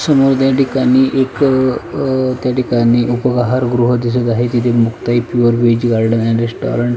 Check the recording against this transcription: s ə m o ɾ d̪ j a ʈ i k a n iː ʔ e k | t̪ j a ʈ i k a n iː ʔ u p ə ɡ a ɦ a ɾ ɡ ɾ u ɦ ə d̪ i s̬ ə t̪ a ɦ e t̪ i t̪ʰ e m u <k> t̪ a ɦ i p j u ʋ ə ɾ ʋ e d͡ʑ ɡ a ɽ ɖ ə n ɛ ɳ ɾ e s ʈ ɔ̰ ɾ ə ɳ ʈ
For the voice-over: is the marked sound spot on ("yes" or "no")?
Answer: yes